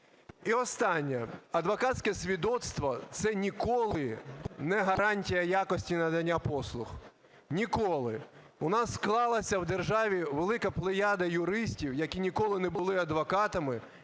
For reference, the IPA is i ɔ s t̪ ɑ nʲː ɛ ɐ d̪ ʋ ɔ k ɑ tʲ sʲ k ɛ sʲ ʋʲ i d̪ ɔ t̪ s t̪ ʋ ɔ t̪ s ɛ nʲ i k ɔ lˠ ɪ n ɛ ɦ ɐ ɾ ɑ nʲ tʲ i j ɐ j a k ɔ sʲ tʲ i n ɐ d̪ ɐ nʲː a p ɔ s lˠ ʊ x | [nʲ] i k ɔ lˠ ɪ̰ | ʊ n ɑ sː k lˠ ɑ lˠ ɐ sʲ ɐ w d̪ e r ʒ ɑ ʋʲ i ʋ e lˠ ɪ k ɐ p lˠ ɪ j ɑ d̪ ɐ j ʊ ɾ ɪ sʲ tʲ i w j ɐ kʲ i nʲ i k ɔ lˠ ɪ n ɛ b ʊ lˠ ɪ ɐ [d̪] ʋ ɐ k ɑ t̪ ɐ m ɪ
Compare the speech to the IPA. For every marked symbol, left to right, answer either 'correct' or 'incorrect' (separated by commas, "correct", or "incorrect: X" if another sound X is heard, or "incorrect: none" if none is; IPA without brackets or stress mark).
correct, correct